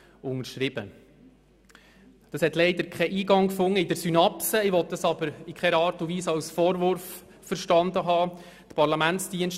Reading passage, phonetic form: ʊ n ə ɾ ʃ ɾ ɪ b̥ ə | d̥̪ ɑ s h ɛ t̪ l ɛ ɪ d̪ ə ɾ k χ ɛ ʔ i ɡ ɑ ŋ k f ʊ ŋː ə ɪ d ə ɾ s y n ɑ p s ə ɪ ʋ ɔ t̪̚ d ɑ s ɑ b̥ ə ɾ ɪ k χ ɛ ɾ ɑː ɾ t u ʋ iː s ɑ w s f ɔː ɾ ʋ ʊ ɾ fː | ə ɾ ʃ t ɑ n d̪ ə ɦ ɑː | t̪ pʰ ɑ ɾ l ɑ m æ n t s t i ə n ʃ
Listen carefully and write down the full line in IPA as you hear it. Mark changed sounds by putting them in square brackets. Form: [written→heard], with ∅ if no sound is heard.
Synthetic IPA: ʊ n ə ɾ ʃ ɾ ɪ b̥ ə | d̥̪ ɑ s h ɛ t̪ l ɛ ɪ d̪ ə ɾ k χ ɛ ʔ [i→iː] ɡ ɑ ŋ k f ʊ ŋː ə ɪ d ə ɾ s y n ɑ p s ə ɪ ʋ ɔ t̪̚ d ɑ s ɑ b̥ ə ɾ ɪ k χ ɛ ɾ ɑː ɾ t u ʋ iː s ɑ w s f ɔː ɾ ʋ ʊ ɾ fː | ə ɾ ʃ t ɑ n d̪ ə ɦ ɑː | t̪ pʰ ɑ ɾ l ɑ m æ n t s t i ə n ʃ

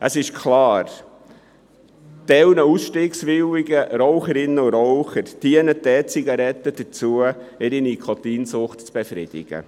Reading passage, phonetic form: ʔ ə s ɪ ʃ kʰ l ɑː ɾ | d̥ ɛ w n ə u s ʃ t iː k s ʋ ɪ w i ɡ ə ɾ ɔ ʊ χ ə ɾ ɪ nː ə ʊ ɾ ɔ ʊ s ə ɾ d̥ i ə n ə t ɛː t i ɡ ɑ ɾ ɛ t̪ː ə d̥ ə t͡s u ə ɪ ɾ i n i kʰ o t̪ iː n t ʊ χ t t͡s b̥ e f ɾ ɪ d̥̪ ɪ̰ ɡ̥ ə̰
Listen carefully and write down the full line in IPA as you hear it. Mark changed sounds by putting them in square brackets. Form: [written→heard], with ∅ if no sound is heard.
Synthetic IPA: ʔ ə s ɪ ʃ kʰ l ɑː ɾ | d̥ ɛ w n ə u s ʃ t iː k s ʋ ɪ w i ɡ ə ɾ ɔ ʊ χ ə ɾ ɪ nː ə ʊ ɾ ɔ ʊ [s→χ] ə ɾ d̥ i ə n ə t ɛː [t→t͡s] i ɡ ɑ ɾ ɛ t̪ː ə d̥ ə t͡s u ə ɪ ɾ i n i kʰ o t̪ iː n [t→s] ʊ χ t t͡s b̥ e f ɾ ɪ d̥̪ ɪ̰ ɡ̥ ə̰

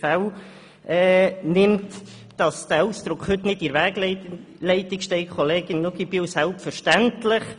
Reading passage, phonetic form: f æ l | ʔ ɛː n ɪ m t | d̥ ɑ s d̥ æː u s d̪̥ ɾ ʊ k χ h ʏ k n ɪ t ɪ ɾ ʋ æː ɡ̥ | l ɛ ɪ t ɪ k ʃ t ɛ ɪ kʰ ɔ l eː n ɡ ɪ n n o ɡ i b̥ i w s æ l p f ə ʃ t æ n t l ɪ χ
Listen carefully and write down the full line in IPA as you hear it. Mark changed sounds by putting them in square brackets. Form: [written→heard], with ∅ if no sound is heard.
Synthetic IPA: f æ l | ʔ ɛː n ɪ m t | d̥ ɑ s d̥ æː u s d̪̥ ɾ ʊ k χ h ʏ [k→t] n ɪ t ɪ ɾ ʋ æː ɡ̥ | l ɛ ɪ t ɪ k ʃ t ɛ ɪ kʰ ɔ l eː [n→∅] ɡ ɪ n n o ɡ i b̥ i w s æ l p f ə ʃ t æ n t l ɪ χ

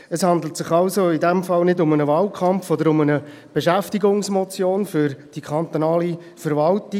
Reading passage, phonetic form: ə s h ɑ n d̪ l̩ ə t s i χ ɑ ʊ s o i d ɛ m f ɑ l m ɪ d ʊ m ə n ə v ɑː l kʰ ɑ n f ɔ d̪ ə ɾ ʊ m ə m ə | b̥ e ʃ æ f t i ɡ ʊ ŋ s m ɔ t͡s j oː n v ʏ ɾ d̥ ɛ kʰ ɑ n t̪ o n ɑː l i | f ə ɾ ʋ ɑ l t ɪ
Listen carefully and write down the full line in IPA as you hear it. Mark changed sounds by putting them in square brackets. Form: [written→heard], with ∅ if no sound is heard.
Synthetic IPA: ə s h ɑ n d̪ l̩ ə t s [i→ɪ] χ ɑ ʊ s o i d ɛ m f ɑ l [m→n] ɪ d ʊ m ə n ə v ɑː l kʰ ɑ [n→m] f ɔ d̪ ə ɾ ʊ m ə [m→n] ə | b̥ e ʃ æ f t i ɡ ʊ ŋ s m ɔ t͡s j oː n [v→f] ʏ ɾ d̥ [ɛ→i] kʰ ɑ n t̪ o n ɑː l i | f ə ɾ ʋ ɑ l t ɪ

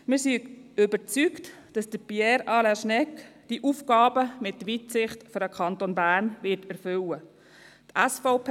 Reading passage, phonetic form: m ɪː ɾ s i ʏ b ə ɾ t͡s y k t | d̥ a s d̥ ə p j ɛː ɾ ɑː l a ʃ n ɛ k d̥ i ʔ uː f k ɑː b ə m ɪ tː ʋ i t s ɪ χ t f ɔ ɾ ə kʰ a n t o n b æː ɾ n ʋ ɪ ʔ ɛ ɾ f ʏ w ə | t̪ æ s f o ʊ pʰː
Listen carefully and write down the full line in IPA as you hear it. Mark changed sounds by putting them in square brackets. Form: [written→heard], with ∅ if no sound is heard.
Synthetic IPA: m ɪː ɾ s i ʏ b ə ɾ t͡s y k t | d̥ [a→ɑ] s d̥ ə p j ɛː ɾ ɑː l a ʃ n ɛ k d̥ i ʔ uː f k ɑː b ə m ɪ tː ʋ i t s ɪ χ t f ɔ ɾ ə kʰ [a→ɑ] n t o n b æː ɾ n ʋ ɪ [ʔ→t] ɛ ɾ f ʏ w ə | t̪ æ s f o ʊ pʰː

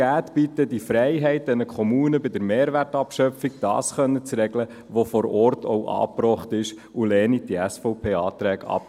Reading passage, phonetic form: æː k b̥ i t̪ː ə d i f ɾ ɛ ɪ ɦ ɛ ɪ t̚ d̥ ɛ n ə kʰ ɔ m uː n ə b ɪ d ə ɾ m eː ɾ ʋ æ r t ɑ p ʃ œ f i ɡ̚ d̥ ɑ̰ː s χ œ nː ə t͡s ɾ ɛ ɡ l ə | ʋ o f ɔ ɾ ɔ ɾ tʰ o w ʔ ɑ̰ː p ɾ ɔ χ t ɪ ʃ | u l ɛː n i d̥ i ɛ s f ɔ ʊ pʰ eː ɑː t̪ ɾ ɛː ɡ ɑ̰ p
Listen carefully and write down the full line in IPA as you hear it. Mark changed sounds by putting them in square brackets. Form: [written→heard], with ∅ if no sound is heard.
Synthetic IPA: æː [k→t] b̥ i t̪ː ə d i f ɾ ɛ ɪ ɦ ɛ ɪ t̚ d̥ ɛ n ə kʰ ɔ m uː n ə b ɪ d ə ɾ m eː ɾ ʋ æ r t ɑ p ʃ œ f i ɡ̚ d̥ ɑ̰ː s χ œ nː ə t͡s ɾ ɛ ɡ l ə | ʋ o f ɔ ɾ ɔ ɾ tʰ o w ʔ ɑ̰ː p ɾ ɔ χ t ɪ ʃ | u l ɛː n i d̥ i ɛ s f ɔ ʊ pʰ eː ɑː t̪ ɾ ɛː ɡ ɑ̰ p

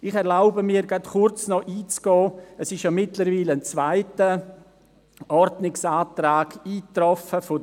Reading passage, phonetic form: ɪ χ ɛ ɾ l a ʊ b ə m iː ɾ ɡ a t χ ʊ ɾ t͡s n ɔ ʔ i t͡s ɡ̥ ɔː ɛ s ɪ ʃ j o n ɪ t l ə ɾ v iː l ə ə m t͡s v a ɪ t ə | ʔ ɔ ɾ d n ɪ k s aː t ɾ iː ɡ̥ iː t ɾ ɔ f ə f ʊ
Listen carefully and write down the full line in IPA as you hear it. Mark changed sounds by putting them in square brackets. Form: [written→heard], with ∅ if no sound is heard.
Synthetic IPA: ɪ χ ɛ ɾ l a ʊ b ə m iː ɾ ɡ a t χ ʊ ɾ t͡s n ɔ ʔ [i→iː] t͡s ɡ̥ ɔː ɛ s ɪ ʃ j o [n→m] ɪ t l ə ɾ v iː l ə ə [m→n] t͡s v a ɪ t ə | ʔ ɔ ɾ d n ɪ k s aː t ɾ [iː→aː] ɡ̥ iː t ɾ ɔ f ə f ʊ

